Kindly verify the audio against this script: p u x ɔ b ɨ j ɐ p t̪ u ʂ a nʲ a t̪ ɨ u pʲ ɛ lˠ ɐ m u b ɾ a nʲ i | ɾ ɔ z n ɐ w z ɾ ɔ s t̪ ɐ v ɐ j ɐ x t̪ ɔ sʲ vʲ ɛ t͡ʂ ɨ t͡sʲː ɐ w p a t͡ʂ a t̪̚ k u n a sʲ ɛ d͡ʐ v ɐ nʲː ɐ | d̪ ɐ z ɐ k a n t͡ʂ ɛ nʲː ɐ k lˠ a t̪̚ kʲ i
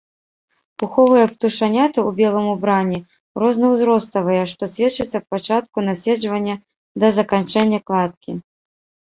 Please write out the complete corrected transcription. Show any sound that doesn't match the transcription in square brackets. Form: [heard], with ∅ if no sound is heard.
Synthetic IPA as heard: p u x ɔ [v] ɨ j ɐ p t̪ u ʂ a nʲ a t̪ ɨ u [bʲ] ɛ lˠ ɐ m u b ɾ a nʲ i | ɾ ɔ z n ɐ w z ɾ ɔ s t̪ ɐ v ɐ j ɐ [ʂ] t̪ ɔ sʲ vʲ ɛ t͡ʂ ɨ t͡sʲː ɐ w p a t͡ʂ a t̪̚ k u n a sʲ ɛ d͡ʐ v ɐ nʲː ɐ | d̪ ɐ z ɐ k a n t͡ʂ ɛ nʲː ɐ k lˠ a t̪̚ kʲ i